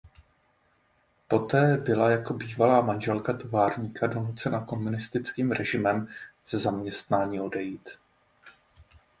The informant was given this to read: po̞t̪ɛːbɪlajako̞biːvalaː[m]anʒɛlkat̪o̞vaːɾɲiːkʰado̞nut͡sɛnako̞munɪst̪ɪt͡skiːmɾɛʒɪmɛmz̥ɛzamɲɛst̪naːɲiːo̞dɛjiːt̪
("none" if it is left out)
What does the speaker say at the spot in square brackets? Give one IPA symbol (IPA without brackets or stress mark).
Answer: m